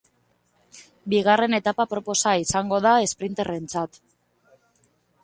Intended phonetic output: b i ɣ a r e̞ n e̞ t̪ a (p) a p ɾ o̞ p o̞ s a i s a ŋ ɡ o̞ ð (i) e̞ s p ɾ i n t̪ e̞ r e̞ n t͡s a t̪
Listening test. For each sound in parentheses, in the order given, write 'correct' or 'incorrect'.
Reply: correct, incorrect: a

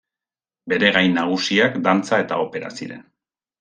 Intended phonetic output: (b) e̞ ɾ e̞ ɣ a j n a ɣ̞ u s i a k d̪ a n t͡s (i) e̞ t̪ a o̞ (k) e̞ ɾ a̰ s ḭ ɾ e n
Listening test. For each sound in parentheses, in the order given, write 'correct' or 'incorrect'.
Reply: correct, incorrect: a, incorrect: p

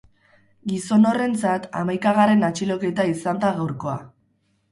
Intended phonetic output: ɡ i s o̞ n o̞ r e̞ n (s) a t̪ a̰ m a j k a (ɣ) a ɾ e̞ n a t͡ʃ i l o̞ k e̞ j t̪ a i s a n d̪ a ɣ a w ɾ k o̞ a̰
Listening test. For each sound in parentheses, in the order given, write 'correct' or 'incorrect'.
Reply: incorrect: t͡s, correct

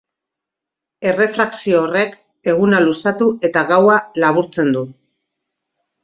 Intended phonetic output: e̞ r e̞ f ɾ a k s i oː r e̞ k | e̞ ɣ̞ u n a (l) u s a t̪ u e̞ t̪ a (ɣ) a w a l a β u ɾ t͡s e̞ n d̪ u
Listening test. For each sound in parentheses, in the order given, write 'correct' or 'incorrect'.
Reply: correct, correct

